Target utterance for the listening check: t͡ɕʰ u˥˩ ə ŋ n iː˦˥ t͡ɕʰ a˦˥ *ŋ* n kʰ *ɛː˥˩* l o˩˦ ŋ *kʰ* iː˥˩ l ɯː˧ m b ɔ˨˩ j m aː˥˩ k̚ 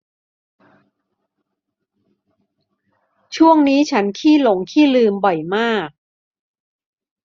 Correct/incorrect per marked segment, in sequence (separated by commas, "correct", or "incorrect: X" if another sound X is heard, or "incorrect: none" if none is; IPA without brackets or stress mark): incorrect: none, incorrect: iː˥˩, correct